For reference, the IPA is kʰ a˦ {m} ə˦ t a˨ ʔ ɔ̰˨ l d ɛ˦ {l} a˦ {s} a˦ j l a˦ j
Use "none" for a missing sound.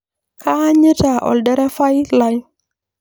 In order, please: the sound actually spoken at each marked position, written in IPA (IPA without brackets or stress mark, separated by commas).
ɲ, ɾ, f